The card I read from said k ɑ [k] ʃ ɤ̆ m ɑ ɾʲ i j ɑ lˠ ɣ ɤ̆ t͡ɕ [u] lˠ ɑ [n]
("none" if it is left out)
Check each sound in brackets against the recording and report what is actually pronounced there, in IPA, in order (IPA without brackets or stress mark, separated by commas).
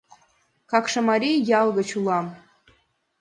k, u, m